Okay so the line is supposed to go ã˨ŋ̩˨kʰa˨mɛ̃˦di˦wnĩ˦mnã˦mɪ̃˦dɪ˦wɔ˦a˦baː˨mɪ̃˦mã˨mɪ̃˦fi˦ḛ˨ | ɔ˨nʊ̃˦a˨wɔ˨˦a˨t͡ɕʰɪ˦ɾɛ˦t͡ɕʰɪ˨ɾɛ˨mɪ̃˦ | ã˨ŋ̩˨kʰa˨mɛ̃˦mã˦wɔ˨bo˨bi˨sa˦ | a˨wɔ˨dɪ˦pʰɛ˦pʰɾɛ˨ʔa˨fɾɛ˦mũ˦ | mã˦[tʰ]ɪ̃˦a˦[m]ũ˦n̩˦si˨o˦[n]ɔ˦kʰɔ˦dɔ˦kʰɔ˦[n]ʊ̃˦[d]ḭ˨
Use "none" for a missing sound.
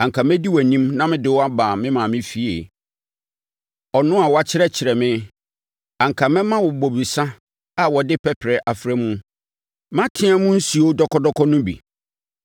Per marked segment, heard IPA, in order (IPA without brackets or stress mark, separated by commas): tʰ, m, d, n, b